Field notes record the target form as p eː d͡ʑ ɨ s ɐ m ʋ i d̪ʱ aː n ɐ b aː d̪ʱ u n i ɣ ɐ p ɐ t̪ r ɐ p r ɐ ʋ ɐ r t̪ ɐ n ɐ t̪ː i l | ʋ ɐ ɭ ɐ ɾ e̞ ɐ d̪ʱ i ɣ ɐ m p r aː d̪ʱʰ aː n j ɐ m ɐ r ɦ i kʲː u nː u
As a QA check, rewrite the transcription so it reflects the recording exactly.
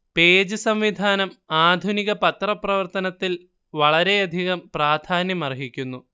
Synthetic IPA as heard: p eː d͡ʑ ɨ s ɐ m ʋ i d̪ʱ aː n ɐ m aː d̪ʱ u n i ɣ ɐ p ɐ t̪ r ɐ p r ɐ ʋ ɐ r t̪ ɐ n ɐ t̪ː i l | ʋ ɐ ɭ ɐ ɾ e̞ ɐ d̪ʱ i ɣ ɐ m p r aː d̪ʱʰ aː n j ɐ m ɐ r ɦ i kʲː u nː u

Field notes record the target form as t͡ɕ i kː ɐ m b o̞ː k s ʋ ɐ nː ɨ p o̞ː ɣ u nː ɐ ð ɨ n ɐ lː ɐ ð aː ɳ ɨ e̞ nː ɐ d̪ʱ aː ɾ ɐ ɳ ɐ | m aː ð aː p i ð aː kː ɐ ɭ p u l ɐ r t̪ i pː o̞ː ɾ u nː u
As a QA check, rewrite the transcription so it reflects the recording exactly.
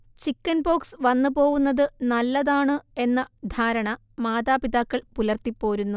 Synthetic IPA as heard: t͡ɕ i kː ɐ n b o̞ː k s ʋ ɐ nː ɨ p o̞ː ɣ u nː ɐ ð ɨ n ɐ lː ɐ ð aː ɳ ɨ e̞ nː ɐ d̪ʱ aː ɾ ɐ ɳ ɐ | m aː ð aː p i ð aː kː ɐ ɭ p u l ɐ r t̪ i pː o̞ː ɾ u nː u

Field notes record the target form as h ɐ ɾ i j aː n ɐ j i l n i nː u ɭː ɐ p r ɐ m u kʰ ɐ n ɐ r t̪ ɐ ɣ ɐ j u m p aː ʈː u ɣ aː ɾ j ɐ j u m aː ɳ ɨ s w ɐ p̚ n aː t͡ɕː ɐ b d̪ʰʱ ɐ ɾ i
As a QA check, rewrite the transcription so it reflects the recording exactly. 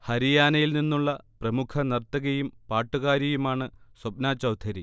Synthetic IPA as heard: h ɐ ɾ i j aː n ɐ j i l n i nː u ɭː ɐ p r ɐ m u kʰ ɐ n ɐ r t̪ ɐ ɣ ɐ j u m p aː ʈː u ɣ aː ɾ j ɐ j u m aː ɳ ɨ s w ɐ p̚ n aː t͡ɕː ɐ w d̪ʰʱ ɐ ɾ i

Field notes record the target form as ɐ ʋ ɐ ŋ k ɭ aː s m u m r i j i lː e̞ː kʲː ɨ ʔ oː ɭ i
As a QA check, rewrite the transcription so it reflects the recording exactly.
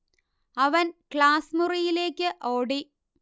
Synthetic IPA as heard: ɐ ʋ ɐ n k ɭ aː s m u r i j i l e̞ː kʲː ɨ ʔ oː ɽ i

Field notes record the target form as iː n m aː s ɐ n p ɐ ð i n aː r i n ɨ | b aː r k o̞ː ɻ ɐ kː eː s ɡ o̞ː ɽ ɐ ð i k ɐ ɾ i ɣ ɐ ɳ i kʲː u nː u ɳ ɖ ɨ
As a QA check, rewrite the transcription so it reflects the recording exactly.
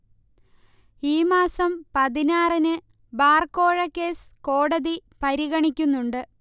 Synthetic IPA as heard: iː m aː s ɐ m p ɐ ð i n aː r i n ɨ | b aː r k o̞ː ɻ ɐ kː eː s k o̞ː ɽ ɐ ð i p ɐ ɾ i ɣ ɐ ɳ i kʲː u nː u ɳ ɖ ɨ

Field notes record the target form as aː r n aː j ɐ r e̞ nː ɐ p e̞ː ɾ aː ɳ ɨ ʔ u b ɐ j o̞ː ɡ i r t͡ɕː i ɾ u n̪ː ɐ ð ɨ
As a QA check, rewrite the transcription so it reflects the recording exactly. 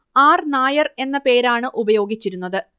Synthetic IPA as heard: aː r n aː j ɐ r e̞ nː ɐ p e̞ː ɾ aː ɳ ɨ ʔ u b ɐ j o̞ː ɡ i t͡ɕː i ɾ u n̪ː ɐ ð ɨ

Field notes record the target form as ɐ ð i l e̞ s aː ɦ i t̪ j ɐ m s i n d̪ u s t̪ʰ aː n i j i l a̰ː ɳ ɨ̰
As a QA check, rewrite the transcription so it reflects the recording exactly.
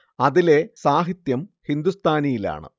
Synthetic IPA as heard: ɐ ð i l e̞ s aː ɦ i t̪ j ɐ m h i n d̪ u s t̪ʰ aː n i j i l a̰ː ɳ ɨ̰

